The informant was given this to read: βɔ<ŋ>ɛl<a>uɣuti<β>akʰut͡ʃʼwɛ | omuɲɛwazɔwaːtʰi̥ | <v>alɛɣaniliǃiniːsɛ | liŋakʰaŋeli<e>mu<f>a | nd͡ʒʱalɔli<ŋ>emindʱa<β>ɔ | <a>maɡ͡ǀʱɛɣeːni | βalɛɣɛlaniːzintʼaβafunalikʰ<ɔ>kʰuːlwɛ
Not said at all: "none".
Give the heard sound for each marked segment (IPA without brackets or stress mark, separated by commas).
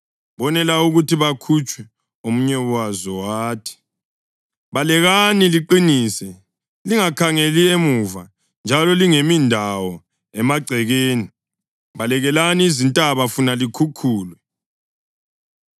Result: n, a, β, β, e, v, ŋ, w, ɛ, u